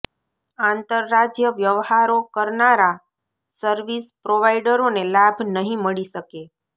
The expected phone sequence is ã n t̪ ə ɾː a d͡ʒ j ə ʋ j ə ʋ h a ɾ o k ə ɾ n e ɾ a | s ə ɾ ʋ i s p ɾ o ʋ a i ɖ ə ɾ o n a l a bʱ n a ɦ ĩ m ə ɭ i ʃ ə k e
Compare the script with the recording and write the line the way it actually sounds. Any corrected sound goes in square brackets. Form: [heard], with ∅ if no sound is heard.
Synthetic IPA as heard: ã n t̪ ə ɾː a d͡ʒ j ə ʋ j ə ʋ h a ɾ o k ə ɾ n [a] ɾ a | s ə ɾ ʋ i s p ɾ o ʋ a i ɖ ə ɾ o n [e] l a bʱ n [ə] ɦ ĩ m ə ɭ i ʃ ə k e